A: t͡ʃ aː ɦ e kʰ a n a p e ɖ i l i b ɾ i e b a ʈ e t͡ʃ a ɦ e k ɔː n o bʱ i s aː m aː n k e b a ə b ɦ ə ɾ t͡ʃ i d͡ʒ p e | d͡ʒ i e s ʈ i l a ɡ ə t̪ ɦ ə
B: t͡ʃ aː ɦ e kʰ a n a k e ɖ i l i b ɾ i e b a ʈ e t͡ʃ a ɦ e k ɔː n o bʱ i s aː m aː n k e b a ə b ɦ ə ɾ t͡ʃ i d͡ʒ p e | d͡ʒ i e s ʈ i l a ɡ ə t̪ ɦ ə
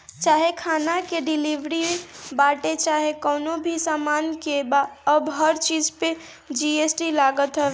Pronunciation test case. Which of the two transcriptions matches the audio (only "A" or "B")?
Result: B